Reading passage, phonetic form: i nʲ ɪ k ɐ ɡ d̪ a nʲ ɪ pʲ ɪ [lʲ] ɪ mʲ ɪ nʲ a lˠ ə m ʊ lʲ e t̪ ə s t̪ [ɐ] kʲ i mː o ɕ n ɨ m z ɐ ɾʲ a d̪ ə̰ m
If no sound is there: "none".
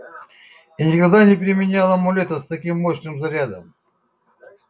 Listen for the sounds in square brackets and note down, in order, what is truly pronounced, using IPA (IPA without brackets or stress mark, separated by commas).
ɾʲ, ɐ